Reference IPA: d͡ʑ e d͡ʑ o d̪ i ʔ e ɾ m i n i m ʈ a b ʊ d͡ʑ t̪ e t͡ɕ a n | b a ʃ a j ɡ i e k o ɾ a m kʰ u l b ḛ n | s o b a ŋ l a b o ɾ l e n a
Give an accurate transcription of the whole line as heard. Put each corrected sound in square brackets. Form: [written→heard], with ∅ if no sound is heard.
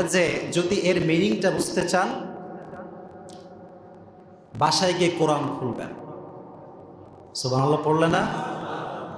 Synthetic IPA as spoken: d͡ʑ e d͡ʑ o d̪ i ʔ e ɾ m i n i [m→ŋ] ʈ a b [ʊ→u] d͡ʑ t̪ e t͡ɕ a n | b a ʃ a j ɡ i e k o ɾ a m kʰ u l b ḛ n | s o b a ŋ l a [b→p] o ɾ l e n a

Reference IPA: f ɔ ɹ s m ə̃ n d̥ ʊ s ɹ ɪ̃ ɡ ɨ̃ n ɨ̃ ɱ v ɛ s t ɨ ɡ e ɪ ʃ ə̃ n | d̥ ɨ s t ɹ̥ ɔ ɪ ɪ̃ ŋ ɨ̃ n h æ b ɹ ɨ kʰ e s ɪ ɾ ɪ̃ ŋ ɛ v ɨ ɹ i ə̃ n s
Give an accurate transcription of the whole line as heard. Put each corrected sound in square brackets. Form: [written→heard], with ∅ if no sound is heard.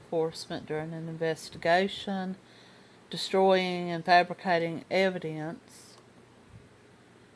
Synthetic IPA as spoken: f ɔ ɹ s m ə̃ n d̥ ʊ [s→∅] ɹ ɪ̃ [ɡ→ŋ] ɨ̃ n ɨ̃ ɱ v ɛ s t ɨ ɡ e ɪ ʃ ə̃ n | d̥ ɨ s t ɹ̥ ɔ ɪ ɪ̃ ŋ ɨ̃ n [h→f] æ b ɹ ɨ kʰ e [s→∅] ɪ ɾ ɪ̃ ŋ ɛ v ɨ [ɹ→ɾ] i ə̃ n s

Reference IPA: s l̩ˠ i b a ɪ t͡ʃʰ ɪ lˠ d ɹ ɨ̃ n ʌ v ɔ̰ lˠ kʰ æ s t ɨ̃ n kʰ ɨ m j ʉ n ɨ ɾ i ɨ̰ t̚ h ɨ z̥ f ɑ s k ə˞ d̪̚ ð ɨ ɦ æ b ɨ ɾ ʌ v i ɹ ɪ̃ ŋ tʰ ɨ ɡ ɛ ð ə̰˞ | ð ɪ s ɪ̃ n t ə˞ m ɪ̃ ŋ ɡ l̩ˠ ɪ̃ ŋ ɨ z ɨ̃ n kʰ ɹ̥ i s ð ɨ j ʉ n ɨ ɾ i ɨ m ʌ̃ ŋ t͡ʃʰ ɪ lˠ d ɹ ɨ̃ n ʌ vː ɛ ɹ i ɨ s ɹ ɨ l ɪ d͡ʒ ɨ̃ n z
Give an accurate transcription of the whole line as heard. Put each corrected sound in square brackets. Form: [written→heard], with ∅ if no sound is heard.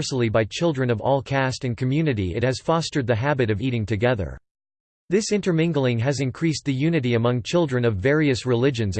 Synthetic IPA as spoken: s l̩ˠ i b a ɪ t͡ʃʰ ɪ lˠ d ɹ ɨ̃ n ʌ v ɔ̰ lˠ kʰ æ s t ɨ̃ n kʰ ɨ m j ʉ n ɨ ɾ i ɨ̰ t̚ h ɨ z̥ f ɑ s [k→t] ə˞ d̪̚ ð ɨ ɦ æ b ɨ ɾ ʌ v i [ɹ→ɾ] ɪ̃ ŋ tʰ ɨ ɡ ɛ ð ə̰˞ | ð ɪ s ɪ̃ n t ə˞ m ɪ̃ ŋ ɡ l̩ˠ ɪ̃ ŋ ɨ z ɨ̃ n kʰ ɹ̥ i s ð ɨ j ʉ n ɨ ɾ i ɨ m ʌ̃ ŋ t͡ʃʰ ɪ lˠ d ɹ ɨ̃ n ʌ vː ɛ ɹ i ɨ s ɹ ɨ l ɪ d͡ʒ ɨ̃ n z

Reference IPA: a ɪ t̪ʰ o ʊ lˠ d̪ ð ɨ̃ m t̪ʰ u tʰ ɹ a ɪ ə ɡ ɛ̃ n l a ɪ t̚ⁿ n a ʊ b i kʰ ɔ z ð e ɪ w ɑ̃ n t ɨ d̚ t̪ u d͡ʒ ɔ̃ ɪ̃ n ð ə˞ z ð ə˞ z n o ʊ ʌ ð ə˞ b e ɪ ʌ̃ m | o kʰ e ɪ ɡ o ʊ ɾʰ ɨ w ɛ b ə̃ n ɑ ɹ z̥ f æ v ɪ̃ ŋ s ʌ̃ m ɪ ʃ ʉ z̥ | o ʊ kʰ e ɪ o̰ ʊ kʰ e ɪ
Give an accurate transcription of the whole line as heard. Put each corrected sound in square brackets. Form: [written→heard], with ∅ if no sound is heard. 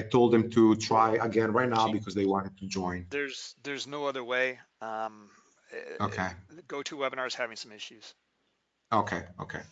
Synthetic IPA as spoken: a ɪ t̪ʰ o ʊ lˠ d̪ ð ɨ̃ m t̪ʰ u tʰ ɹ a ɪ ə ɡ ɛ̃ n [l→ɹ] a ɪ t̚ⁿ n a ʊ b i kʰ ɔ z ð e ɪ w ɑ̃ n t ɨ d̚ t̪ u d͡ʒ ɔ̃ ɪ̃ n ð ə˞ z ð ə˞ z n o ʊ ʌ ð ə˞ [b→w] e ɪ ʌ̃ m | o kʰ e ɪ ɡ o ʊ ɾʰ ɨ w ɛ b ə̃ n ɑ ɹ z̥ [f→h] æ v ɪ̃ ŋ s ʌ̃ m ɪ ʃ ʉ z̥ | o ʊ kʰ e ɪ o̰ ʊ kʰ e ɪ

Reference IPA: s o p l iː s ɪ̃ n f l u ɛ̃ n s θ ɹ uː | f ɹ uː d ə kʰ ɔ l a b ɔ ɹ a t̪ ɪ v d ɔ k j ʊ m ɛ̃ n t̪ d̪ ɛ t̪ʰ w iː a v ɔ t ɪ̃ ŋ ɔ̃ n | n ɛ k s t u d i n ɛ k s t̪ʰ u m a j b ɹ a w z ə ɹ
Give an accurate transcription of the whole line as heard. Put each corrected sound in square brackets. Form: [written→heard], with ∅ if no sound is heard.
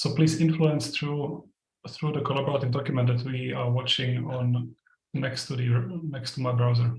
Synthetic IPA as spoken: s o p l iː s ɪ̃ n f l u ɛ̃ n s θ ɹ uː | [f→θ] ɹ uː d ə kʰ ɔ l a b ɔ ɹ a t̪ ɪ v d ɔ k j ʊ m ɛ̃ n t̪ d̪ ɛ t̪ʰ w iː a [v→w] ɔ [t→t͡ʃ] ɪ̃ ŋ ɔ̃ n | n ɛ k s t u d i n ɛ k s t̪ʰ u m a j b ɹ a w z ə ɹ

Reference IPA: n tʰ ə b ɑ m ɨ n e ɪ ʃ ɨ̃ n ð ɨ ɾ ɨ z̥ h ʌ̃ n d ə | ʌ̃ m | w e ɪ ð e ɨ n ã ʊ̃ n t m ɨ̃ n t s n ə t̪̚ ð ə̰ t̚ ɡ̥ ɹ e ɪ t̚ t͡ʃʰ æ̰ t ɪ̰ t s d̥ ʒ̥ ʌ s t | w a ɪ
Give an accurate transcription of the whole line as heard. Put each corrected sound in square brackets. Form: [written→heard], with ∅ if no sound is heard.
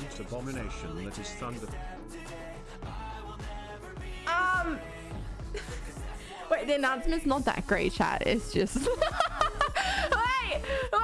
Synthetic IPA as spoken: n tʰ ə b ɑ m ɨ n e ɪ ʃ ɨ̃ n ð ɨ ɾ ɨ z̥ [h→θ] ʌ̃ n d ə | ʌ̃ m | w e ɪ ð [e→i] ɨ n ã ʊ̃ n [t→s] m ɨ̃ n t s n ə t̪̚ ð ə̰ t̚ ɡ̥ ɹ e ɪ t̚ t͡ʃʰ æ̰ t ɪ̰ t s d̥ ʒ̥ ʌ s t | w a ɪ

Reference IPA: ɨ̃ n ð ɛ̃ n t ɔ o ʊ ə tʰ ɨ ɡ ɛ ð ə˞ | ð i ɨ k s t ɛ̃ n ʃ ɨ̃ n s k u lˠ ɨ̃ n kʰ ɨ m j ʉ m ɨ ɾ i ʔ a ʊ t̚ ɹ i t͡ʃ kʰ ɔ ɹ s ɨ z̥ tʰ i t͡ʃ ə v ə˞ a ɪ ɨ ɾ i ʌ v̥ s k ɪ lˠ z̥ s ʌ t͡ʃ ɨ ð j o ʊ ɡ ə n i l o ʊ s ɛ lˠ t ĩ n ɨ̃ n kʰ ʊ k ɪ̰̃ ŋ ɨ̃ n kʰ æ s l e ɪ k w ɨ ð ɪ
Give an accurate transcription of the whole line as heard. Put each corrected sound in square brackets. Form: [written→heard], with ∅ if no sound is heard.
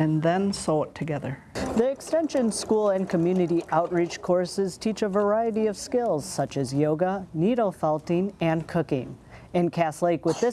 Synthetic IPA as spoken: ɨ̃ n ð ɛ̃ n [t→s] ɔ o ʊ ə tʰ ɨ ɡ ɛ ð ə˞ | ð i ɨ k s t ɛ̃ n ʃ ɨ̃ n s k u lˠ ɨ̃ n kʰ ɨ m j ʉ [m→n] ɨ ɾ i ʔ a ʊ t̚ ɹ i t͡ʃ kʰ ɔ ɹ s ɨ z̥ tʰ i t͡ʃ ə v ə˞ a ɪ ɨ ɾ i ʌ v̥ s k ɪ lˠ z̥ s ʌ t͡ʃ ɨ [ð→z] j o ʊ ɡ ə n i [l→ɾ] o ʊ [s→f] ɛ lˠ t ĩ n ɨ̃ n kʰ ʊ k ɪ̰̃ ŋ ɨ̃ n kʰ æ s l e ɪ k w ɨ ð ɪ

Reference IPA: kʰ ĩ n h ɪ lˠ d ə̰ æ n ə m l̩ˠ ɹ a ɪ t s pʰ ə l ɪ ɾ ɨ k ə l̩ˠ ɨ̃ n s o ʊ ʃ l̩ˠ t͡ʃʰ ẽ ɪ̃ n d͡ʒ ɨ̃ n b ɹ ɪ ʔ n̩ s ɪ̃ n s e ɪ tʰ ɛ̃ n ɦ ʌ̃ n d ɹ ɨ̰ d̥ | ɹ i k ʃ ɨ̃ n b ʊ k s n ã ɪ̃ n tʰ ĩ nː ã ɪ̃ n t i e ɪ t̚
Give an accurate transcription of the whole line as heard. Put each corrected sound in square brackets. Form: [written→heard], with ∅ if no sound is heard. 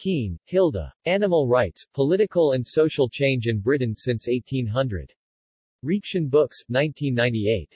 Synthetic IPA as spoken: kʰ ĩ n h ɪ lˠ d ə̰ æ n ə m l̩ˠ ɹ a ɪ t s pʰ ə l ɪ ɾ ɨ k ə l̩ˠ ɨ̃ n s o ʊ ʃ l̩ˠ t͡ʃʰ ẽ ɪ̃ n d͡ʒ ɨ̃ n b ɹ ɪ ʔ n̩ s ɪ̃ n s e ɪ tʰ [ɛ̃→ĩ] n ɦ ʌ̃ n d ɹ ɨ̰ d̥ | ɹ i k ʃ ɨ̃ n b ʊ k s n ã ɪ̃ n tʰ ĩ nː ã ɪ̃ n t i e ɪ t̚

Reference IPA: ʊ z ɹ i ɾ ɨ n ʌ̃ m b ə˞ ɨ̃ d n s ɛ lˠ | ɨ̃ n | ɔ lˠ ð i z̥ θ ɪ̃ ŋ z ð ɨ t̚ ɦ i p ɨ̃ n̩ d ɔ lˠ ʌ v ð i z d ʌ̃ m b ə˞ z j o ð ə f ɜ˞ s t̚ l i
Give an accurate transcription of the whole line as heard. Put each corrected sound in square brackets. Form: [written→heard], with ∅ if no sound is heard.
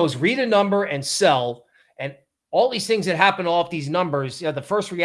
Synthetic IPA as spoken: ʊ z ɹ i ɾ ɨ n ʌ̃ m b ə˞ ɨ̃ [d→∅] n s ɛ lˠ | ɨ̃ n | ɔ lˠ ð i z̥ θ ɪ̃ ŋ z ð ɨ t̚ ɦ [i→æ] p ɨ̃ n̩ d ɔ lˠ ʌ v ð i z [d→n] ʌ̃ m b ə˞ z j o ð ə f ɜ˞ s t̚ [l→ɹ] i

